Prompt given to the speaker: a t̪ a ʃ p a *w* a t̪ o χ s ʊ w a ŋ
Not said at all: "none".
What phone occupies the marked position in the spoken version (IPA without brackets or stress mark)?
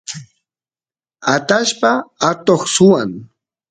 none